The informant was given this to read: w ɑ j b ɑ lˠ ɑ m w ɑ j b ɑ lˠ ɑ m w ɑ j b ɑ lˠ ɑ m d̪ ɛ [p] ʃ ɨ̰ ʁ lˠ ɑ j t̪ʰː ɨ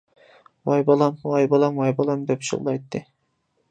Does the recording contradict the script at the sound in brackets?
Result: no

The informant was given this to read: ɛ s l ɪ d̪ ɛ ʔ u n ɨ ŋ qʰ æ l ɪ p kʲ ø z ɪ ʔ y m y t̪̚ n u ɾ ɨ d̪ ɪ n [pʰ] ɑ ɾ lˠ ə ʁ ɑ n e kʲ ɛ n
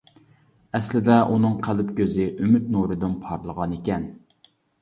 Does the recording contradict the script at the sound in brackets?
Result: no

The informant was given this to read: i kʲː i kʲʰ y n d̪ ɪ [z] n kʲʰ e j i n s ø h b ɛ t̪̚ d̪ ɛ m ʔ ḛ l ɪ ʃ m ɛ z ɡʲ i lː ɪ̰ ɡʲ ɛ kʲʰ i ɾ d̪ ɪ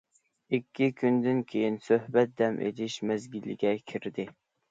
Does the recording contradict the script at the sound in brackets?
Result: yes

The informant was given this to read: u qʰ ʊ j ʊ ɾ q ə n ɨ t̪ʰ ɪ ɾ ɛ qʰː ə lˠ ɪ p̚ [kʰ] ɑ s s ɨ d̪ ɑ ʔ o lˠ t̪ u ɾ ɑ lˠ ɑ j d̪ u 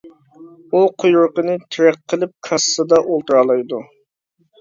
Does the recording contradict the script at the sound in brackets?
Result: no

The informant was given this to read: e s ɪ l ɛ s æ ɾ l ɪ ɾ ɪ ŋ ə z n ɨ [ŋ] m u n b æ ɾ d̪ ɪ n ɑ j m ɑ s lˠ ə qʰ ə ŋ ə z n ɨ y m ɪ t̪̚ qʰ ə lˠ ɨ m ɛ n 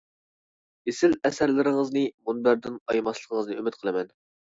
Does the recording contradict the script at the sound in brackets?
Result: yes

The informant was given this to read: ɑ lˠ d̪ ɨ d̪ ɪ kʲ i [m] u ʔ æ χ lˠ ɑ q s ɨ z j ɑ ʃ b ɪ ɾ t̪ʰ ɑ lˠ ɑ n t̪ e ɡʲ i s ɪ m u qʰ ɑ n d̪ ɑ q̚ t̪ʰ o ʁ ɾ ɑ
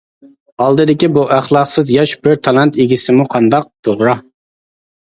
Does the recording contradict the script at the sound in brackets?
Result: yes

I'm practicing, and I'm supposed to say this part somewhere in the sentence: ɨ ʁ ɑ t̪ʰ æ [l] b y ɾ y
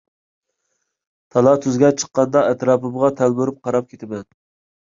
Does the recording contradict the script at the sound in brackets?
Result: no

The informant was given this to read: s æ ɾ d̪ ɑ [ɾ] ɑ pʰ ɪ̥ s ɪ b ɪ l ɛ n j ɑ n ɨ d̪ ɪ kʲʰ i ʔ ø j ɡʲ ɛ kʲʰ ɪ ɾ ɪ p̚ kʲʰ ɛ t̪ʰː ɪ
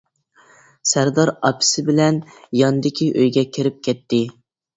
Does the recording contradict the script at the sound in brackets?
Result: no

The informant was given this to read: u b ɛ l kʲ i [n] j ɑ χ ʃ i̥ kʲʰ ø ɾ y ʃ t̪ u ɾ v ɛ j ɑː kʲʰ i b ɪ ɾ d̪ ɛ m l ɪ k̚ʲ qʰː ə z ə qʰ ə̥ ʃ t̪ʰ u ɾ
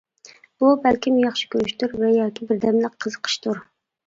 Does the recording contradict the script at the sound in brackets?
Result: yes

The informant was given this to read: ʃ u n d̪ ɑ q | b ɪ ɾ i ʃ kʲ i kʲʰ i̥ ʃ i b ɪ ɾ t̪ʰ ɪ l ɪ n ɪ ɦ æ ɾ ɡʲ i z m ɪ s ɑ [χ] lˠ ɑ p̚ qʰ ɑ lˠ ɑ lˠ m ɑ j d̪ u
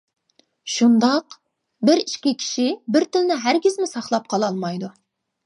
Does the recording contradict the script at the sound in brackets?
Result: no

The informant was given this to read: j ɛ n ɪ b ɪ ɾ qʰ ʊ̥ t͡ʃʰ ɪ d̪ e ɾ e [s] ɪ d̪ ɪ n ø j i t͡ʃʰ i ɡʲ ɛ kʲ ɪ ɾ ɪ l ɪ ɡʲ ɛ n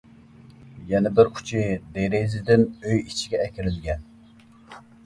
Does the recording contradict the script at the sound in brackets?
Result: yes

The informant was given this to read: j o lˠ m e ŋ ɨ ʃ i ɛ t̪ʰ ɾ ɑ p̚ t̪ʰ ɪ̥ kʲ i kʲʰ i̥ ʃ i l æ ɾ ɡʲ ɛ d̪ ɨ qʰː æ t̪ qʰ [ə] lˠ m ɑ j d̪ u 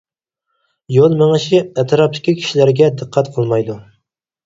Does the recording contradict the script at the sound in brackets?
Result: no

